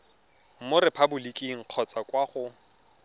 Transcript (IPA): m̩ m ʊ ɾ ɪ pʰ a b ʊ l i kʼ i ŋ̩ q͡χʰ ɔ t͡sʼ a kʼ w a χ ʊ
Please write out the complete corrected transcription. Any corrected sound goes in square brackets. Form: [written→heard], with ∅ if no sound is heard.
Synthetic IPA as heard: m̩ m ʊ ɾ ɪ pʰ a b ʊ l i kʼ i ŋ̩ q͡χʰ ɔ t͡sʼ a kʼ w a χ ʊ